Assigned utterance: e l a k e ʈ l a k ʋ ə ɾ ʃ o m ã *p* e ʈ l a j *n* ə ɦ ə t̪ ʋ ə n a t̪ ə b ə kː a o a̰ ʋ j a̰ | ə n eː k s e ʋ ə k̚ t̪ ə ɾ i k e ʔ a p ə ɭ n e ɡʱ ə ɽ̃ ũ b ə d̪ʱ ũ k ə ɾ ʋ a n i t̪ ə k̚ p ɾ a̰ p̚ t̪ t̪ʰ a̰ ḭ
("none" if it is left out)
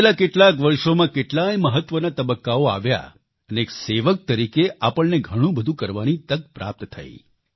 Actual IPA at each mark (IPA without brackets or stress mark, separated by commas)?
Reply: k, m